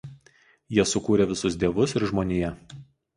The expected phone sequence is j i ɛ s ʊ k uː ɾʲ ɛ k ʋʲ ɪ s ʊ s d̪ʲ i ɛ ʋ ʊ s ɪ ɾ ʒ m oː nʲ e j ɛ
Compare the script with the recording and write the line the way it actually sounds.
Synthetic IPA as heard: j i ɛ s ʊ k uː ɾʲ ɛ ʋʲ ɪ s ʊ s d̪ʲ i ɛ ʋ ʊ s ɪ ɾ ʒ m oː nʲ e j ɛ